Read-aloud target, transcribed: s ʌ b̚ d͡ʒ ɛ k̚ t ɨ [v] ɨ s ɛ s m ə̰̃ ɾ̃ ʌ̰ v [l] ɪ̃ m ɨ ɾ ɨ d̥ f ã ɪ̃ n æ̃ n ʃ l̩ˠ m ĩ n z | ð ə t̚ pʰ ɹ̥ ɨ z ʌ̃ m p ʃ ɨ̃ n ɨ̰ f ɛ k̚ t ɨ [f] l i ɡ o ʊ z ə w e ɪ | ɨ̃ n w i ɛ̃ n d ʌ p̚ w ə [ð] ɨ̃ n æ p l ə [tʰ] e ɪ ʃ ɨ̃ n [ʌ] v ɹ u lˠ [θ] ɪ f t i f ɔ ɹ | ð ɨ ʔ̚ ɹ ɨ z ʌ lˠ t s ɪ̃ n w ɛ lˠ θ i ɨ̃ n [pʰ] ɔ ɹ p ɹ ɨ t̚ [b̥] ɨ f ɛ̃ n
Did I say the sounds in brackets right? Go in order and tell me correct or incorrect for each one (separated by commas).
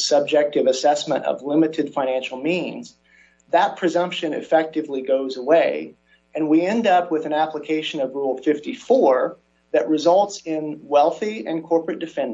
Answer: correct, correct, incorrect, correct, incorrect, correct, incorrect, incorrect, incorrect